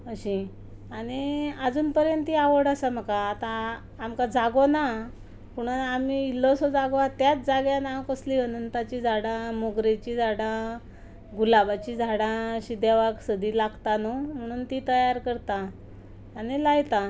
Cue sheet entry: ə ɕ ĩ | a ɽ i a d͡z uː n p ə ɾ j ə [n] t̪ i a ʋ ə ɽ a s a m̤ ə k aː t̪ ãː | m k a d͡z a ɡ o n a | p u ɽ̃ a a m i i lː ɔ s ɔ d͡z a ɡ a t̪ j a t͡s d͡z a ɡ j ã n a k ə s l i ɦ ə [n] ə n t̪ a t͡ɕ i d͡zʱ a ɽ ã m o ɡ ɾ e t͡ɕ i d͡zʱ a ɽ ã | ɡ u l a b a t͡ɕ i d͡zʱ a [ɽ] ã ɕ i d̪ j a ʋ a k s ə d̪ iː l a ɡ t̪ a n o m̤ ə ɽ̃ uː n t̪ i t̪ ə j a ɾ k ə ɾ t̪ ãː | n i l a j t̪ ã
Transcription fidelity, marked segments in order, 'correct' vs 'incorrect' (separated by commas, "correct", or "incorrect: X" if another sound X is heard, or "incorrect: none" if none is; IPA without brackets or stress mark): correct, correct, correct